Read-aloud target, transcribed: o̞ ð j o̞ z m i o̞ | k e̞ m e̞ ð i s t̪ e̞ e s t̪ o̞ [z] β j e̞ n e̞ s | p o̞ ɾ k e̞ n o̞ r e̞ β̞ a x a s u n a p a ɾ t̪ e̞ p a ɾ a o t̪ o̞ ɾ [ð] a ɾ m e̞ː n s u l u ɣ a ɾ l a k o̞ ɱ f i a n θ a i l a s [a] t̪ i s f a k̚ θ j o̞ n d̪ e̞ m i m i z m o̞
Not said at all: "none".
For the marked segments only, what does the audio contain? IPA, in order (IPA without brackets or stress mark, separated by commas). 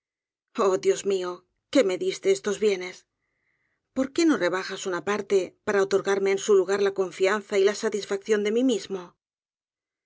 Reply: z, ɣ, a